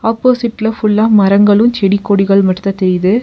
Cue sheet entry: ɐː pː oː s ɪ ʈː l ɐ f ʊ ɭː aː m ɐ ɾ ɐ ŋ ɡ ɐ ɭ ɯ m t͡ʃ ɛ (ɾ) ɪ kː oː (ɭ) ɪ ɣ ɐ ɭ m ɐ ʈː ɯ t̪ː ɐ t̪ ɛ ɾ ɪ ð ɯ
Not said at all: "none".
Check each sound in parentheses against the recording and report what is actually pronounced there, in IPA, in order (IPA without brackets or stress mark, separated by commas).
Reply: ɽ, ɽ